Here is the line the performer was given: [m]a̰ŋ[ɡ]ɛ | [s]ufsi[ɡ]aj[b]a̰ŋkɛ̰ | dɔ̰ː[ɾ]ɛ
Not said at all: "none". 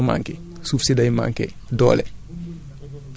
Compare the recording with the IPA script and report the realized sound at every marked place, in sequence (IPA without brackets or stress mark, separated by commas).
m, k, s, d, m, l